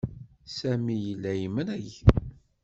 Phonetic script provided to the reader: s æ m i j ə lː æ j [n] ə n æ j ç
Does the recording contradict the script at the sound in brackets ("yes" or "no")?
yes